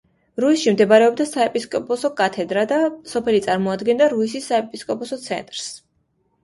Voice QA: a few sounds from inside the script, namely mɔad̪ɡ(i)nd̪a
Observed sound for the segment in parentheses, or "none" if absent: ɛ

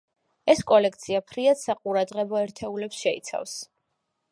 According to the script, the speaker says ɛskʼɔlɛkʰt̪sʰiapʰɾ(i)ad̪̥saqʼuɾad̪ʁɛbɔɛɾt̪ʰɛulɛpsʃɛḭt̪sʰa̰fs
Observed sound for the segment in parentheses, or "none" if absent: i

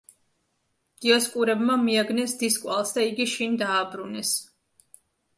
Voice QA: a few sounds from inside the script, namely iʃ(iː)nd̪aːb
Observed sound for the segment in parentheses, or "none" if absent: i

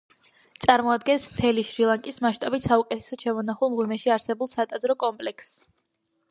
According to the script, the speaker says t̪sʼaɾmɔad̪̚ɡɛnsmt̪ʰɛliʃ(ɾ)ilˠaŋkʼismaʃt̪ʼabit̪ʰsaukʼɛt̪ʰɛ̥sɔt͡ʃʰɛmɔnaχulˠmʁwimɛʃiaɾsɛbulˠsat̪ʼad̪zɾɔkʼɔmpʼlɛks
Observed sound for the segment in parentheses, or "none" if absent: ɾ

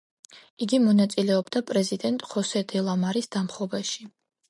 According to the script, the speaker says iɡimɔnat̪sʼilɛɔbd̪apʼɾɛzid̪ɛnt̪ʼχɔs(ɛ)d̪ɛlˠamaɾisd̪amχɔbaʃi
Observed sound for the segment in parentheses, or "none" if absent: ɛ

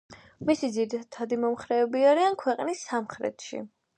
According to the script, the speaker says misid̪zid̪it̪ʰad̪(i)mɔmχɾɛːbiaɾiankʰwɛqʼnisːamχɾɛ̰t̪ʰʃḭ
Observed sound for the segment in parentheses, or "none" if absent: i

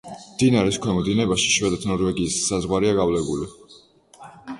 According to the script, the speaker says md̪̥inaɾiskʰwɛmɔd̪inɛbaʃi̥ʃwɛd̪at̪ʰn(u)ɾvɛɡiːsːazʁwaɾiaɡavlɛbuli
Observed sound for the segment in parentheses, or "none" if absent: ɔ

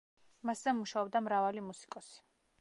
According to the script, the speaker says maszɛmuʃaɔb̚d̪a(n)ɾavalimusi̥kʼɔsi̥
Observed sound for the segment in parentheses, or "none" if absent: m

